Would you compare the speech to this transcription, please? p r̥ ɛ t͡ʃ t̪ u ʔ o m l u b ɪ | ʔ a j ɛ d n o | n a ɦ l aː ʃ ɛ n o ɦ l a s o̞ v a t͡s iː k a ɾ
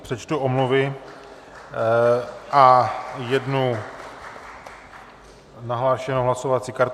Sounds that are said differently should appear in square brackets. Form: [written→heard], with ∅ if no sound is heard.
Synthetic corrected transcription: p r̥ ɛ t͡ʃ t̪ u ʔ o m l u [b→v] ɪ | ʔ a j ɛ d n [o→u] | n a ɦ l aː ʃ ɛ n o ɦ l a s o̞ v a t͡s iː k a ɾ